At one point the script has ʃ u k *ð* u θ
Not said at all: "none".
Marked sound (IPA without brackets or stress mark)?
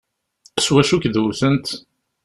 ð